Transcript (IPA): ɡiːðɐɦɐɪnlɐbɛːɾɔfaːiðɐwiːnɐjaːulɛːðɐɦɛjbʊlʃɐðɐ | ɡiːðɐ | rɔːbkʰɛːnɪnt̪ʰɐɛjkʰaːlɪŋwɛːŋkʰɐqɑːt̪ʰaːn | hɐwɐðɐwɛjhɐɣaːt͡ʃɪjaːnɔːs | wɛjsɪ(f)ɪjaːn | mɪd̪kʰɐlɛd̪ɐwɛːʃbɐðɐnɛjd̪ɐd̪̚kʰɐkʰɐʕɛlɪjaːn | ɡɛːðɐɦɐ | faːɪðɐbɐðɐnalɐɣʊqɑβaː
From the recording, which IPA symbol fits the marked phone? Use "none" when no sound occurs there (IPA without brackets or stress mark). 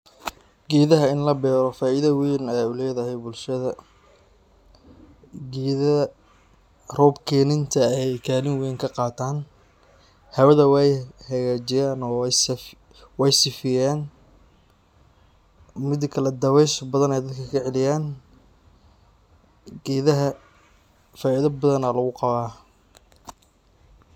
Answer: f